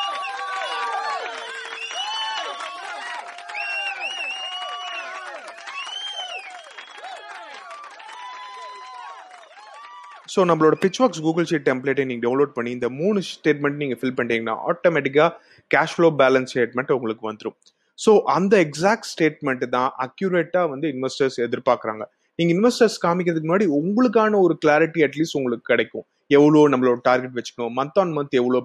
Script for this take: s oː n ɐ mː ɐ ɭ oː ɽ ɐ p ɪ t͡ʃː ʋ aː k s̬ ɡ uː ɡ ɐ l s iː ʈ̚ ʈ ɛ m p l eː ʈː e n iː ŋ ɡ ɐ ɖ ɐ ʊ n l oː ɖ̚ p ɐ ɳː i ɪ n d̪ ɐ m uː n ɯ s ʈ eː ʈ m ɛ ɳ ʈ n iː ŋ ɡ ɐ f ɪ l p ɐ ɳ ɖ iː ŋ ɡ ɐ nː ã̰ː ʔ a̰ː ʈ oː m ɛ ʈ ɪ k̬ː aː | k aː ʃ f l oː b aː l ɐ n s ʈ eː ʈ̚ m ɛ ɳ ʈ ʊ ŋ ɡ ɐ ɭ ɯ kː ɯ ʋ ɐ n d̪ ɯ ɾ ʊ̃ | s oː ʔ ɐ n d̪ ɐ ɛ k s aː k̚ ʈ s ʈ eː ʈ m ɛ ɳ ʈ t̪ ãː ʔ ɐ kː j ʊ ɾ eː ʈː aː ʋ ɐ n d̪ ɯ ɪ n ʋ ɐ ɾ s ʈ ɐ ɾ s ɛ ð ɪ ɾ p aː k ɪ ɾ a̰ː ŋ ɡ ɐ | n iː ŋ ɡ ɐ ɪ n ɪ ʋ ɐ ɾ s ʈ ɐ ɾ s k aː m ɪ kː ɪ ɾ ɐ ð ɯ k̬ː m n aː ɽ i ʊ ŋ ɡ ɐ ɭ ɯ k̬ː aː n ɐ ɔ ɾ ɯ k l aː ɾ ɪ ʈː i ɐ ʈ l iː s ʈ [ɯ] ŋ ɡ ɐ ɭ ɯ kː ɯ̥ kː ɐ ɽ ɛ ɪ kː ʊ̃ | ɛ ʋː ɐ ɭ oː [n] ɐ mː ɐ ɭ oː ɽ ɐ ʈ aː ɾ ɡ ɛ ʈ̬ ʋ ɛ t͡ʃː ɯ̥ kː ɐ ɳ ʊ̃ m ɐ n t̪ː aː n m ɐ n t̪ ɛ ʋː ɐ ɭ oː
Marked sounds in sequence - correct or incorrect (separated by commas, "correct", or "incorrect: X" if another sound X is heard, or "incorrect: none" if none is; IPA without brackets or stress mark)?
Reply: incorrect: ʊ, correct